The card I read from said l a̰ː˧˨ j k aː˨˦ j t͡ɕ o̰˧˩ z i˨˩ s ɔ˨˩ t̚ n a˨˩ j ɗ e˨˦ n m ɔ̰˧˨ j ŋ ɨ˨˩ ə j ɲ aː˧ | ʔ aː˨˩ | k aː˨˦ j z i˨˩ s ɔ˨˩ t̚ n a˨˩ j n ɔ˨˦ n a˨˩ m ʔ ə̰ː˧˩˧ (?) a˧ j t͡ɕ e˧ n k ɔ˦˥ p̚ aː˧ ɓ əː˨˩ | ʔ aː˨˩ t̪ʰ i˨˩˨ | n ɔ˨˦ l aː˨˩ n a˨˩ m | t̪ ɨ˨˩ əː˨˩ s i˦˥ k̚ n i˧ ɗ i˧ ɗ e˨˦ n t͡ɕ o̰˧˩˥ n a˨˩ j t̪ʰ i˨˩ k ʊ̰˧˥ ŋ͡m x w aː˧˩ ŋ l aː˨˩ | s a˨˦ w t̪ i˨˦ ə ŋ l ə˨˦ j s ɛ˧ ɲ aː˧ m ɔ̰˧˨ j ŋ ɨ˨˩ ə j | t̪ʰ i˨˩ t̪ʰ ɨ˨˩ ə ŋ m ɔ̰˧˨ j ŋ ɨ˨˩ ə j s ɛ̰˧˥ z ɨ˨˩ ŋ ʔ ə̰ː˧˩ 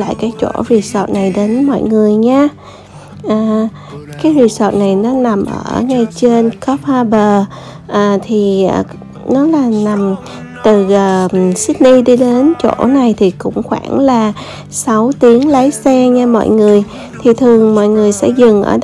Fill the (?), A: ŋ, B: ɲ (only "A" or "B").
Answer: A